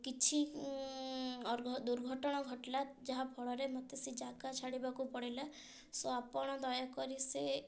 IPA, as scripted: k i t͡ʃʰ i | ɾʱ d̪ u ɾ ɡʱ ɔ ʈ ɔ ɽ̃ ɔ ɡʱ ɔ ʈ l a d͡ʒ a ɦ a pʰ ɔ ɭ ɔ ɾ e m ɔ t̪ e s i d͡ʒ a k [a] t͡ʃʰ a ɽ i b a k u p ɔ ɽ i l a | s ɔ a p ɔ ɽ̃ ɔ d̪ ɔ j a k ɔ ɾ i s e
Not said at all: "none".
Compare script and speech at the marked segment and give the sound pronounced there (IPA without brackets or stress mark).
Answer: a